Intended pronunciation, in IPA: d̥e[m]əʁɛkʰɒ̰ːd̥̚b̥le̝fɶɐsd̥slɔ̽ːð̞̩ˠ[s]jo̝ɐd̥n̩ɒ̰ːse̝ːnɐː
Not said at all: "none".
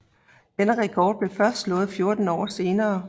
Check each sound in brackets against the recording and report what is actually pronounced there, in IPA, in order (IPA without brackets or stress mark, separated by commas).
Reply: n, f